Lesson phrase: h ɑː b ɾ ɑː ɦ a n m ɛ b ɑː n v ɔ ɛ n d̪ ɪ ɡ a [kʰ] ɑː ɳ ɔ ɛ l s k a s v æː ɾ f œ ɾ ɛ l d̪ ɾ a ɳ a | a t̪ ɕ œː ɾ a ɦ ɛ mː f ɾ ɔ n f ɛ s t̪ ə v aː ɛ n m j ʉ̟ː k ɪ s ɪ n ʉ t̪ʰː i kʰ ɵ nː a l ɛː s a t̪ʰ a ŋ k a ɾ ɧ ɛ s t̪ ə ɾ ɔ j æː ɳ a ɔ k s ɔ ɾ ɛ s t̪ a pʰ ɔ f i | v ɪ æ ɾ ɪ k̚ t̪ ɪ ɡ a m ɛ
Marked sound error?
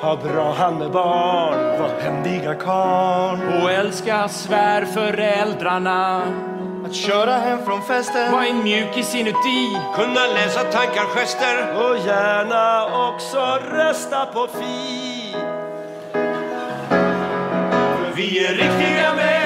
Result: no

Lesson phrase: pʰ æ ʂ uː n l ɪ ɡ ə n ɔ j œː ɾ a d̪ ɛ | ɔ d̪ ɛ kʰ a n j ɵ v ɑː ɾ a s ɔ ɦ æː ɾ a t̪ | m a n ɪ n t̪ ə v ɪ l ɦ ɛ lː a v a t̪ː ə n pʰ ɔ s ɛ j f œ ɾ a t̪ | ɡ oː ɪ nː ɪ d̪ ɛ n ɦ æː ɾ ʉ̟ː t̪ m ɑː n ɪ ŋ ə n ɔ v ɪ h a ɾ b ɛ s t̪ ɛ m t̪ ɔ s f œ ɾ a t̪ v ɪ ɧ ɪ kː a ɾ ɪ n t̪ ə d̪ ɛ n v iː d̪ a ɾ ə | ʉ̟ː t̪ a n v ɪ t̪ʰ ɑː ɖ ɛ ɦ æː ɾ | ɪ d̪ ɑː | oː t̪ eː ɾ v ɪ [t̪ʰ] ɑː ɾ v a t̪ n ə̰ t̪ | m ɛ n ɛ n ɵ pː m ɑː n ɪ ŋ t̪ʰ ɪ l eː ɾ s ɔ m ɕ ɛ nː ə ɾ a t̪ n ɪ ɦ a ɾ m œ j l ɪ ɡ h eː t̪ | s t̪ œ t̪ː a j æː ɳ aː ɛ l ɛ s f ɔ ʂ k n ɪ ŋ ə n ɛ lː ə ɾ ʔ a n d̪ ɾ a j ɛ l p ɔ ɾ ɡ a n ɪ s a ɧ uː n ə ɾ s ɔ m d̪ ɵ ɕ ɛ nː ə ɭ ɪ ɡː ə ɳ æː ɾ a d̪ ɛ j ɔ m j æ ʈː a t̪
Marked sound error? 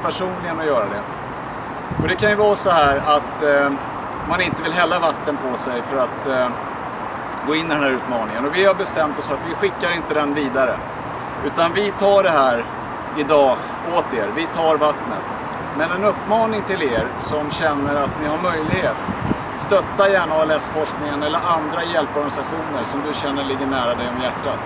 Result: no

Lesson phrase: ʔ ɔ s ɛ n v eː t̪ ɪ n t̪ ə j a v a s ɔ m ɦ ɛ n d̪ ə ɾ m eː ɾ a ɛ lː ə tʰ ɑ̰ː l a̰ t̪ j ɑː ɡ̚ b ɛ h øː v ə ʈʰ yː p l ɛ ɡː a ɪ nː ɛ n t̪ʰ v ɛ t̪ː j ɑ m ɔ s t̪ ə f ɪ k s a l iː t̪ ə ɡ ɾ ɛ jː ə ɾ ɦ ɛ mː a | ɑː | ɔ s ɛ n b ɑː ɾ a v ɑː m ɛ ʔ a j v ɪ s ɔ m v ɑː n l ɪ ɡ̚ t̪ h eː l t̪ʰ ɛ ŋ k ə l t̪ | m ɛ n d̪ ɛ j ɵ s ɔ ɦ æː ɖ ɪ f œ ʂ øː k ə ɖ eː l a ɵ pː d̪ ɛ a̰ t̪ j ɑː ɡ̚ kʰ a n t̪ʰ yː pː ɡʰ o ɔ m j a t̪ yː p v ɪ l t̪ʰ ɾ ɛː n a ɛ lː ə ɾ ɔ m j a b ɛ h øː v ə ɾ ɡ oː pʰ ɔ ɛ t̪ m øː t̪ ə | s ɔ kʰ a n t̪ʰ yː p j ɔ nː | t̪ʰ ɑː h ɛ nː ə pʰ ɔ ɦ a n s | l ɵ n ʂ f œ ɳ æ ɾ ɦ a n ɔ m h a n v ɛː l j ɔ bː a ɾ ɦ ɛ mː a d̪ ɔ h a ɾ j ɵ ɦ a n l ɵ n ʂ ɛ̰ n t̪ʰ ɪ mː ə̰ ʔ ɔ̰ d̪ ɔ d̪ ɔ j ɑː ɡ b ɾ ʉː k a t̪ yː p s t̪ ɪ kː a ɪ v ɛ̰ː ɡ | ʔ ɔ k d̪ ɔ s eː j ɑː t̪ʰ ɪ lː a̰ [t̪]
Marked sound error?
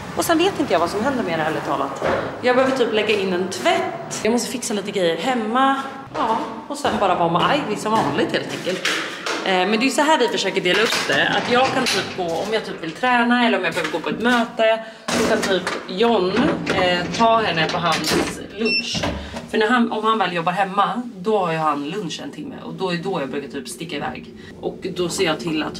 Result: no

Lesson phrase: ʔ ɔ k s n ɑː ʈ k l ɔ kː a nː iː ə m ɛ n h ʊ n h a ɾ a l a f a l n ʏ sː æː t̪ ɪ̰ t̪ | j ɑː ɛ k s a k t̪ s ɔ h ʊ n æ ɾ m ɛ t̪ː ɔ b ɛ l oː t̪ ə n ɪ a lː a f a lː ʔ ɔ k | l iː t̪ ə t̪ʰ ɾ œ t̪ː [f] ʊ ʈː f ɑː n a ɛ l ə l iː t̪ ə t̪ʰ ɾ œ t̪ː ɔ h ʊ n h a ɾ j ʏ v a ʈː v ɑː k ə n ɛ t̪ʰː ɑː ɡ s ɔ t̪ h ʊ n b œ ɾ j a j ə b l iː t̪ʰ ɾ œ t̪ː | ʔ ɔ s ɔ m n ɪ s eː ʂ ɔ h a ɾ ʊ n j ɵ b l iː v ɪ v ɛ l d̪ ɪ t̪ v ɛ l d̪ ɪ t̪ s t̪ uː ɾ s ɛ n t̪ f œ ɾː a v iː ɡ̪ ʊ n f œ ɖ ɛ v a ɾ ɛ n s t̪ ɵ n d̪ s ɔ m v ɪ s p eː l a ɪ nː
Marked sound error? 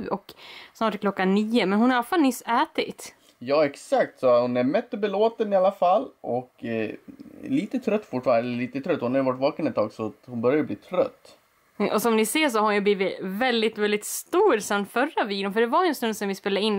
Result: no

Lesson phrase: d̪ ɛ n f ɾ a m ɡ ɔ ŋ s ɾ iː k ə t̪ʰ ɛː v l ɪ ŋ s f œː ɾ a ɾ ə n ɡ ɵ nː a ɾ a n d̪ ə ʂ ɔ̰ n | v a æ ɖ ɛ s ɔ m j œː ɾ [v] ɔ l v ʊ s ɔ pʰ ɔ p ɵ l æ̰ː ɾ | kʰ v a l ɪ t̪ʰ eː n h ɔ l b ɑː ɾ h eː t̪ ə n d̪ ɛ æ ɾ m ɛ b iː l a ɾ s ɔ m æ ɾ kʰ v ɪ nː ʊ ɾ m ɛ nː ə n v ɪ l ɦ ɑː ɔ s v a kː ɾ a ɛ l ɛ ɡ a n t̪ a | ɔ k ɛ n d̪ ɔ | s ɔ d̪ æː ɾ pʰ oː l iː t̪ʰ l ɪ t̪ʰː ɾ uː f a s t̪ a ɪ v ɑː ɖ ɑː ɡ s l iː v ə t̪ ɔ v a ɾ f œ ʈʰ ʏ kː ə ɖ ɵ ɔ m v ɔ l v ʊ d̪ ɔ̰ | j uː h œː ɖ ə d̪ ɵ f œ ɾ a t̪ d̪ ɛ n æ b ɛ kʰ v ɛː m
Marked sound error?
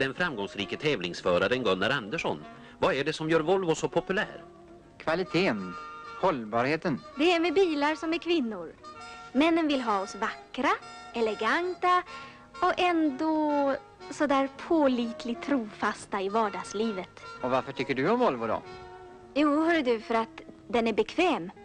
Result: no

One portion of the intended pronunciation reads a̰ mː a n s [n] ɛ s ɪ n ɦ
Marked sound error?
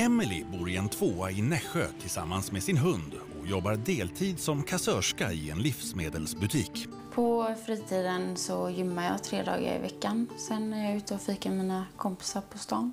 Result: yes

